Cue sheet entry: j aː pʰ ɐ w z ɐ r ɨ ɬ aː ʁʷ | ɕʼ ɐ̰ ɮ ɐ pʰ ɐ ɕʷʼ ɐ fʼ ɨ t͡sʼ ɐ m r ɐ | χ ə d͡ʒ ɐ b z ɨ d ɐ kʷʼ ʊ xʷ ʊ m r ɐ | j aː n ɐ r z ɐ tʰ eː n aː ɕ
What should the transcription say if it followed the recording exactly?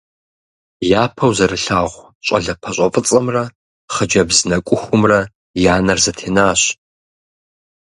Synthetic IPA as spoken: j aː pʰ ɐ w z ɐ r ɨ ɬ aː ʁʷ | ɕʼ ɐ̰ ɮ ɐ pʰ ɐ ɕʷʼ ɐ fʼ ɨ t͡sʼ ɐ m r ɐ | χ ə d͡ʒ ɐ b z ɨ n ɐ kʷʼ ʊ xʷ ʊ m r ɐ | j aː n ɐ r z ɐ tʰ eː n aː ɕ